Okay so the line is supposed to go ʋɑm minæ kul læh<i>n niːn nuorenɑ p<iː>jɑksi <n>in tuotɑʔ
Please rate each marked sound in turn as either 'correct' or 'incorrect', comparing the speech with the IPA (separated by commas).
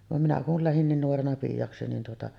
correct, correct, correct